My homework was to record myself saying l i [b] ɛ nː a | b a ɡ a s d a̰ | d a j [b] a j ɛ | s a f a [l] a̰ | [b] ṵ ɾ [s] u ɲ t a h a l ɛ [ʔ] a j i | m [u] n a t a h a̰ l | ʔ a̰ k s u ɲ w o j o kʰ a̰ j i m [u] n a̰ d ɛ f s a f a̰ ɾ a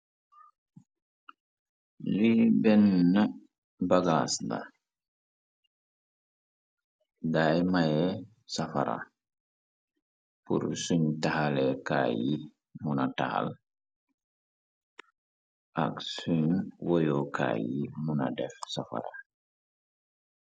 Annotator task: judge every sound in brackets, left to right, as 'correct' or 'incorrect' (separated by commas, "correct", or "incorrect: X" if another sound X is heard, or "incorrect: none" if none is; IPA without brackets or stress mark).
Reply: correct, incorrect: m, incorrect: ɾ, incorrect: p, correct, incorrect: k, correct, correct